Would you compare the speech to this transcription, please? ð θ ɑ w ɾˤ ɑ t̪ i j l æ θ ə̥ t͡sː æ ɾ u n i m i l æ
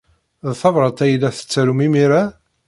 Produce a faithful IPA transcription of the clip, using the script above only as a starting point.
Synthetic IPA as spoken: ð θ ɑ v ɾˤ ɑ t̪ æ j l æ θ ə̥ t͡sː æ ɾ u m i m i ɾ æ